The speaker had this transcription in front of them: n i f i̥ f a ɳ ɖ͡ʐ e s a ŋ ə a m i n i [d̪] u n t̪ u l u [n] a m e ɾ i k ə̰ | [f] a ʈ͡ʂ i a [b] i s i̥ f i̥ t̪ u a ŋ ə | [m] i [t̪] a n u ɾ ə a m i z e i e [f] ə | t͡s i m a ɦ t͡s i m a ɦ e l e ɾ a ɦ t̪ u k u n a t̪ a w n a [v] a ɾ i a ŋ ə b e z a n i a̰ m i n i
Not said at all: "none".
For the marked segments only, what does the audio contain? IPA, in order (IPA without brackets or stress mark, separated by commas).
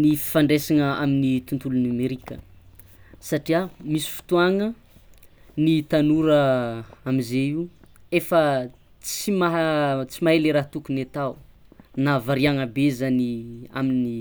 t̪, n, s, m, n, t̪, f, v